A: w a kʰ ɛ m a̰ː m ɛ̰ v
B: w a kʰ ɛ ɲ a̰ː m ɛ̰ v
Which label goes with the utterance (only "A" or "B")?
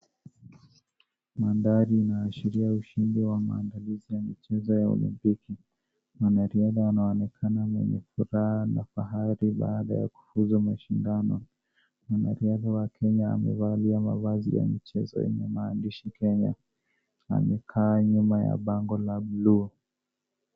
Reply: B